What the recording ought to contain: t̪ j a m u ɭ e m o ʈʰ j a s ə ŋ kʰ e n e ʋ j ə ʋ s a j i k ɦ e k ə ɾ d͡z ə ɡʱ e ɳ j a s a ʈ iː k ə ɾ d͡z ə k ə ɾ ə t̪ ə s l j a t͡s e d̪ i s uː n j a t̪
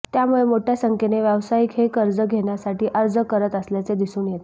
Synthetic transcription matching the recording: t̪ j a m u ɭ e m o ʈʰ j a s ə ŋ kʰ e n e ʋ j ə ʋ s a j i k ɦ e k ə ɾ d͡z ə ɡʱ e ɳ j a s a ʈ iː ʔ ə ɾ d͡z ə k ə ɾ ə t̪ ə s l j a t͡s e d̪ i s uː n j e t̪